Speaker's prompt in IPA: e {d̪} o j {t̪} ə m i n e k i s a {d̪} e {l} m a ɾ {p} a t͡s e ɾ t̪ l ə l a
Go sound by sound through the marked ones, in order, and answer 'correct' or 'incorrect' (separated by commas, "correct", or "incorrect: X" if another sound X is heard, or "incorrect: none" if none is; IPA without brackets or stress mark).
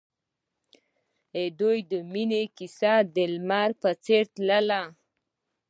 correct, incorrect: d̪, correct, correct, correct